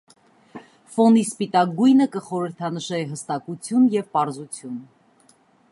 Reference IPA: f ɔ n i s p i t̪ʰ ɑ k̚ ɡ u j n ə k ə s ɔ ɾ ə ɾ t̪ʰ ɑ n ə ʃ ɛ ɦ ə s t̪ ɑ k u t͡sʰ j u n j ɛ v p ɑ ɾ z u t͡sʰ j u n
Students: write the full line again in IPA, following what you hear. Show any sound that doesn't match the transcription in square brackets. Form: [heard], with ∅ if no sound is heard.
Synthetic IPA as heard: f ɔ n i s p i [t̪] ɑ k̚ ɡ u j n ə k ə [χ] ɔ ɾ ə ɾ t̪ʰ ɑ n ə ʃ ɛ ɦ ə s t̪ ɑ k u t͡sʰ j u n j ɛ v p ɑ ɾ z u t͡sʰ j u n